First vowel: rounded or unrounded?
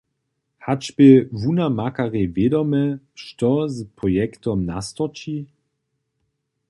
unrounded